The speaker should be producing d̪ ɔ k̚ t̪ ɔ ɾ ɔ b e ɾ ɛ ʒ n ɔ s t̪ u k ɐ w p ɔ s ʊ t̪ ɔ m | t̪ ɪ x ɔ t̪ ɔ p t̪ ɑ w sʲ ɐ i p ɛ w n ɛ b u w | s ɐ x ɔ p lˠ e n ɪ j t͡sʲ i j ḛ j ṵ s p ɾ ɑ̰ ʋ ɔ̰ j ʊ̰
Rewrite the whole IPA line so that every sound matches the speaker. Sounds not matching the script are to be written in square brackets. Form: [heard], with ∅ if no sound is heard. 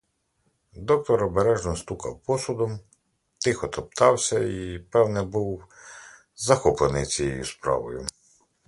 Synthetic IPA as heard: d̪ ɔ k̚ t̪ ɔ ɾ ɔ b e ɾ ɛ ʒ n ɔ s t̪ u k ɐ w p ɔ s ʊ [d̪] ɔ m | t̪ ɪ x ɔ t̪ ɔ p t̪ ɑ w sʲ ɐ i p ɛ w n ɛ b u w | [z] ɐ x ɔ p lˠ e n ɪ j t͡sʲ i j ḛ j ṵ s p ɾ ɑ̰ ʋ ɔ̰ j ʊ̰